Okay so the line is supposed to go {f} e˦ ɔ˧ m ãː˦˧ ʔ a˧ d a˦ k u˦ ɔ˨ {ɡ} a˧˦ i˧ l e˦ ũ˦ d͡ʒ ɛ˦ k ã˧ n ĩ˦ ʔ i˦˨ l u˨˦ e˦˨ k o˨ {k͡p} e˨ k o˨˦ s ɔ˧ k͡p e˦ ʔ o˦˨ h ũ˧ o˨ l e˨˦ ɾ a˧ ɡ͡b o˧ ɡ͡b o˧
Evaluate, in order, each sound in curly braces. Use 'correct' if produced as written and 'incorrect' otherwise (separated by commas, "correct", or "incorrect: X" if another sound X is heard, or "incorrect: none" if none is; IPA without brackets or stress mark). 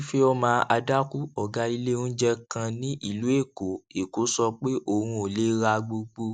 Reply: correct, correct, incorrect: none